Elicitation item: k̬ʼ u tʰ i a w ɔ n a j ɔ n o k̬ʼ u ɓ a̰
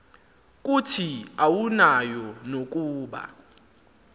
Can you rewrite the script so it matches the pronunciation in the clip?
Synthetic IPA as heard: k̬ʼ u tʰ i a w u n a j ɔ n o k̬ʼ uː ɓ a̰